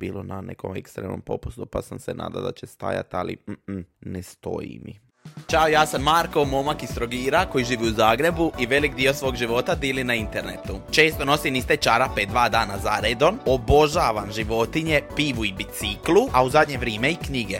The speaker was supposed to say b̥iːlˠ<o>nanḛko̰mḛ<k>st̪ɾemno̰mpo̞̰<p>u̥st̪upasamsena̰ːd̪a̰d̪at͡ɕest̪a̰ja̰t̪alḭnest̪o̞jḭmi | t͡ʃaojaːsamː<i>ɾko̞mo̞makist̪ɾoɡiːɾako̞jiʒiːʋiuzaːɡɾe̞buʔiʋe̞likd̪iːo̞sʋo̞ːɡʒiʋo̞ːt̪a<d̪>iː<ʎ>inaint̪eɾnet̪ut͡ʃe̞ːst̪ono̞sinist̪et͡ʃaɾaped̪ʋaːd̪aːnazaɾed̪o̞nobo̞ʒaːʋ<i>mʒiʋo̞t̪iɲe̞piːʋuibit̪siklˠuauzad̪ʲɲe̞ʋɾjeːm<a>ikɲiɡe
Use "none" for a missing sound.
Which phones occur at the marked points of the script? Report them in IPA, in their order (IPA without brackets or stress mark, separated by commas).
o, k, p, a, d̪, l, a, e